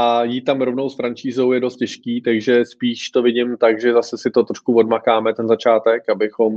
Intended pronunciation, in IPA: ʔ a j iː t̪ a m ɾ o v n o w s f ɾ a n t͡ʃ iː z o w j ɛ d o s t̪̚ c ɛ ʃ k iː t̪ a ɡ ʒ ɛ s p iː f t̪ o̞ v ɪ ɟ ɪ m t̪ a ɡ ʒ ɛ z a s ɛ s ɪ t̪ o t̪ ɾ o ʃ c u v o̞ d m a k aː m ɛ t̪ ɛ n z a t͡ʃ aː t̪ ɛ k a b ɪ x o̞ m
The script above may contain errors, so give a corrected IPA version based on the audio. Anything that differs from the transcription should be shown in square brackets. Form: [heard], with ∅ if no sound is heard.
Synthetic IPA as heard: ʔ a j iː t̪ a m ɾ o v n o w s f ɾ a n t͡ʃ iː z o w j ɛ d o s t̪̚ c ɛ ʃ k iː t̪ a ɡ ʒ ɛ s p iː [ʃ] t̪ o̞ v ɪ ɟ ɪ m t̪ a ɡ ʒ ɛ z a s ɛ s ɪ t̪ o t̪ ɾ o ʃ [k] u v o̞ d m a k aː m ɛ t̪ ɛ n z a t͡ʃ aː t̪ ɛ k a b ɪ x o̞ m